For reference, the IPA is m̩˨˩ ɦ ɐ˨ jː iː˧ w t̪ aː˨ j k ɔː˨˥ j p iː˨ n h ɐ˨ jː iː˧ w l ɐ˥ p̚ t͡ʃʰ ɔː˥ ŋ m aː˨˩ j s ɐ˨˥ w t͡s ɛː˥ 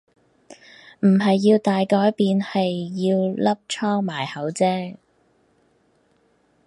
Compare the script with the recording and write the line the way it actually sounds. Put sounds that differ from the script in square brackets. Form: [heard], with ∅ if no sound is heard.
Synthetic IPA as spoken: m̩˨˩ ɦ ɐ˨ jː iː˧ w t̪ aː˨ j k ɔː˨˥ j p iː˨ n h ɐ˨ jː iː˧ w l ɐ˥ p̚ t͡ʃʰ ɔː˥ ŋ m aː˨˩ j [h] ɐ˨˥ w t͡s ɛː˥